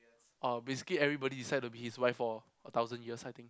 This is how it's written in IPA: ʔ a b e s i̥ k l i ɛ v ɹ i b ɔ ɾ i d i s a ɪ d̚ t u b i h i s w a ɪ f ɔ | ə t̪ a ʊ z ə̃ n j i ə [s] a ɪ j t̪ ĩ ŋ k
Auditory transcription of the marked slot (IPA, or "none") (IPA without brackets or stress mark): s